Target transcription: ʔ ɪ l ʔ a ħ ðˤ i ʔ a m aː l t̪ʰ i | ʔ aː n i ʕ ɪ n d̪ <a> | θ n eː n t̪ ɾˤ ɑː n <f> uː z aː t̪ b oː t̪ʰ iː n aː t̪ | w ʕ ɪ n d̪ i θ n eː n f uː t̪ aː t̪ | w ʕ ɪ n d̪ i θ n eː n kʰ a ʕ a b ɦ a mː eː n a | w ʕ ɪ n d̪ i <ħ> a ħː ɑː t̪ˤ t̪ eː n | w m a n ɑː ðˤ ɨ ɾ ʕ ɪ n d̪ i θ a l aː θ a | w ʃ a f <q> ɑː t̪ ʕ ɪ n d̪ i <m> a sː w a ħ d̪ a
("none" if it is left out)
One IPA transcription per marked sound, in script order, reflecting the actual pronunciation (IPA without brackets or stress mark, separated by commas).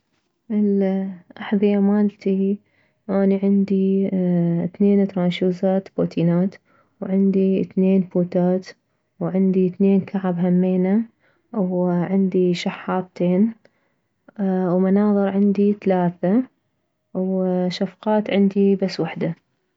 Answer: i, ʃ, ʃ, q, b